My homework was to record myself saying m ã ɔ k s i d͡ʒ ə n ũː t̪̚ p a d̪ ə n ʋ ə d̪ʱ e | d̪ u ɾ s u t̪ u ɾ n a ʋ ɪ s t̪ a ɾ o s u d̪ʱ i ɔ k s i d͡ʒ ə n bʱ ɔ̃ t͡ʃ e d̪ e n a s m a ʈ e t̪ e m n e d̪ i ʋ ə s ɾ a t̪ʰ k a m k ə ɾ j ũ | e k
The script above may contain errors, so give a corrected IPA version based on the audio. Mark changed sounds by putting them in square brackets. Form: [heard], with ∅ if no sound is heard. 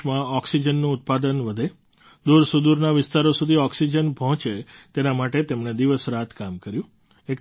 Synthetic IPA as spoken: m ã ɔ k s i d͡ʒ ə [nː] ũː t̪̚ p a d̪ ə n ʋ ə d̪ʱ e | d̪ u ɾ s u [d̪] u ɾ n a ʋ ɪ s t̪ a ɾ o s u d̪ʱ i ɔ k s i d͡ʒ ə n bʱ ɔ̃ t͡ʃ e [t̪] e n a [∅] m a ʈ e t̪ e m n e d̪ i ʋ ə s ɾ a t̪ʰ k a m k ə ɾ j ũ | e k